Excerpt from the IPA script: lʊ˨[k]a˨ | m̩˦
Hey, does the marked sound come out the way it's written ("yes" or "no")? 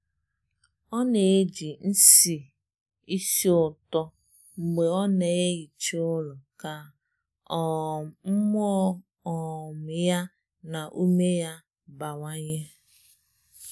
yes